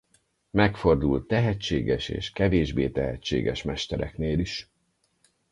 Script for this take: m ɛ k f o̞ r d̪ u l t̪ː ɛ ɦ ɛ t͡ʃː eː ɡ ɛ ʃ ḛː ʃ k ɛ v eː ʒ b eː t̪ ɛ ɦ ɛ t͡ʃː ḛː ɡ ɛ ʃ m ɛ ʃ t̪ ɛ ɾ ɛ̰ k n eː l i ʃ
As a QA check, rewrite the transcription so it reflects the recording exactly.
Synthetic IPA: m ɛ k f o̞ r d̪ u l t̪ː ɛ ɦ ɛ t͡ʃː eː ɡ ɛ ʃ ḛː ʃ k ɛ v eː ʒ b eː t̪ ɛ ɦ ɛ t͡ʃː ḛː ɡ ɛ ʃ m ɛ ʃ t̪ ɛ ɾ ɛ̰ k n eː l i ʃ